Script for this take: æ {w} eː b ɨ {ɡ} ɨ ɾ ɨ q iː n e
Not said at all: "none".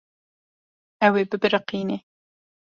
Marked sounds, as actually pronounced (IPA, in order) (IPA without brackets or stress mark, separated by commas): w, b